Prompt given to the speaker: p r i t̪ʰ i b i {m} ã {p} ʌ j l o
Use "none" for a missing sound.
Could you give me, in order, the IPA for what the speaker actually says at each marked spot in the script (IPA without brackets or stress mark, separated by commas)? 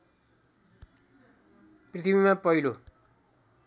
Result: m, p